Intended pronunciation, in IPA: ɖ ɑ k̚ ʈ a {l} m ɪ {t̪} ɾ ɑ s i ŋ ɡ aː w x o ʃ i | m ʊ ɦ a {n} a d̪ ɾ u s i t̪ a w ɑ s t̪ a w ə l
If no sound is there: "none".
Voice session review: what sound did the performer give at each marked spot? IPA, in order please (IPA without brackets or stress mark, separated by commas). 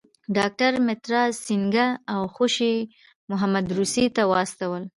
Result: ɾ, t̪, m